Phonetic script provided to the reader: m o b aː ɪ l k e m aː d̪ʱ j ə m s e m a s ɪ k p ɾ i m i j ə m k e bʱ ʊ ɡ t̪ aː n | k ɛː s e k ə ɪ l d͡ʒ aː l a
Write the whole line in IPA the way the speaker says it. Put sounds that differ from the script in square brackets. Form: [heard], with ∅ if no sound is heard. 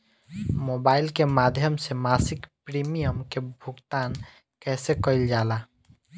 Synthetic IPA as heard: m o b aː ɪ l k e m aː d̪ʱ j ə m s e m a s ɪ k p ɾ i m i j ə m k e bʱ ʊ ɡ t̪ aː n | k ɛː s e k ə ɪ l d͡ʒ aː l a